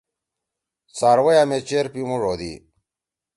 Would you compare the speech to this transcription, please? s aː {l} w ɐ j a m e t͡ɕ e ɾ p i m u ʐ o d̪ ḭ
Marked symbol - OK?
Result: no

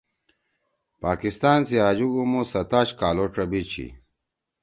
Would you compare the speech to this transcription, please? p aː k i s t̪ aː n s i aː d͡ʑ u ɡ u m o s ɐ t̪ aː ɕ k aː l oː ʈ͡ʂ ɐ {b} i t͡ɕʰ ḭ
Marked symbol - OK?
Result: yes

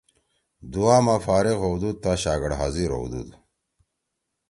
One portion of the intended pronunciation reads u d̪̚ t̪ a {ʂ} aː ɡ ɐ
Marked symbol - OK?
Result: no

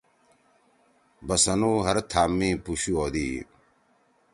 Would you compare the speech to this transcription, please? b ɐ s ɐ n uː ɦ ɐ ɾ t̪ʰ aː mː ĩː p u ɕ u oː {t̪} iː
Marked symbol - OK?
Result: no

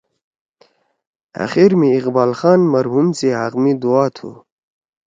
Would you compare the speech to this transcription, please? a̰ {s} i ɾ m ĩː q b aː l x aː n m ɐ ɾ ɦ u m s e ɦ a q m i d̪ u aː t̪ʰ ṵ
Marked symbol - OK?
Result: no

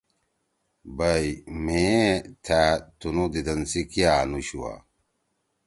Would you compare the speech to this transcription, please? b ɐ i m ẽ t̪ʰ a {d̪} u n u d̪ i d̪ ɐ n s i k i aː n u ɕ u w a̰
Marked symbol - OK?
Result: no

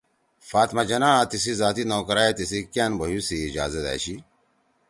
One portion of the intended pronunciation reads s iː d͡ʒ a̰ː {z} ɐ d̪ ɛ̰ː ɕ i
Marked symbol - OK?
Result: yes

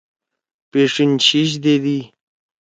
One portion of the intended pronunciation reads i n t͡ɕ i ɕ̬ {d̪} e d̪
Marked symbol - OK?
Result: yes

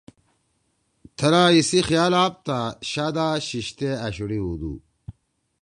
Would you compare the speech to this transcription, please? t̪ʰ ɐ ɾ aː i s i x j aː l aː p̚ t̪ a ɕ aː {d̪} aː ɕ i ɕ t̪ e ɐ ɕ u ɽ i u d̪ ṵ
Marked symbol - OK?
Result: yes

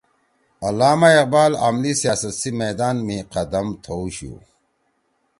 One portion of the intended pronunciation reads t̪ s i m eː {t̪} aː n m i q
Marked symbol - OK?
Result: no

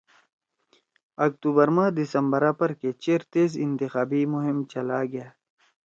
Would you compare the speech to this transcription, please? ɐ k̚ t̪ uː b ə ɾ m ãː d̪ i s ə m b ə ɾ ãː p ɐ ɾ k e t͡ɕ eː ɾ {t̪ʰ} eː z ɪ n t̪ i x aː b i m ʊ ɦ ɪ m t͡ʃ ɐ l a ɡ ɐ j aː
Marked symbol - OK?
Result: no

